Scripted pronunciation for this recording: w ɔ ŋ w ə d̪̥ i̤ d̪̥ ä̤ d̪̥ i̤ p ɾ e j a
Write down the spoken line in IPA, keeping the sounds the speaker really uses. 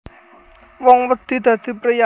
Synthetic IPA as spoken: w ɔ ŋ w ə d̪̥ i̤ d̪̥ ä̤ d̪̥ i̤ p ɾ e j a